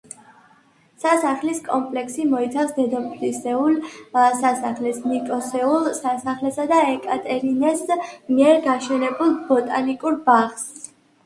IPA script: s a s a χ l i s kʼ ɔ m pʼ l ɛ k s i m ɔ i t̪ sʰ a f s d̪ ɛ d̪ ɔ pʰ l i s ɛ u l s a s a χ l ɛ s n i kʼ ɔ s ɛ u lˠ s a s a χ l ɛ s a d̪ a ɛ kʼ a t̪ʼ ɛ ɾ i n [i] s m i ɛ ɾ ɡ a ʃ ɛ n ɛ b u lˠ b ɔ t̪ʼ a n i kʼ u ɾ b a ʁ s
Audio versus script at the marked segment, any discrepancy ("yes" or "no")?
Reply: yes